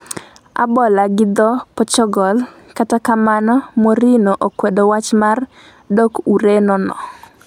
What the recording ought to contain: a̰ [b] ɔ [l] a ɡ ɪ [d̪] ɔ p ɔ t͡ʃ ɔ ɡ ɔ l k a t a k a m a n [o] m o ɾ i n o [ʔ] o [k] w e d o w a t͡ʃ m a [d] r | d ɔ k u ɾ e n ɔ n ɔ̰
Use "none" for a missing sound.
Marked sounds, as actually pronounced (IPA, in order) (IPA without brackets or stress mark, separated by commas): b, l, d̪, ɔ, ʔ, k, none